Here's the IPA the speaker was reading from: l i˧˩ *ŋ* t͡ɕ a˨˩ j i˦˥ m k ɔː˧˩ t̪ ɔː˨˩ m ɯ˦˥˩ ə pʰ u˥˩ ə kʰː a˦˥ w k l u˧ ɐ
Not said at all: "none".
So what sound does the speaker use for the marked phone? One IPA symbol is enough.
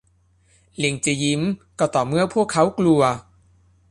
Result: ŋ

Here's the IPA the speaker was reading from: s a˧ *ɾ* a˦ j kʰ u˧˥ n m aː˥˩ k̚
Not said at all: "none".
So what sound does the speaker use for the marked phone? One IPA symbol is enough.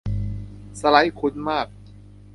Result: l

